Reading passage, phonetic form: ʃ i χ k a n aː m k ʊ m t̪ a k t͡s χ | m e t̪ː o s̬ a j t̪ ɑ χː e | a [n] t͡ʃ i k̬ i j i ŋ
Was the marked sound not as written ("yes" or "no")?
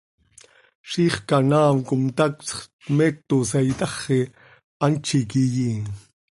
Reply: no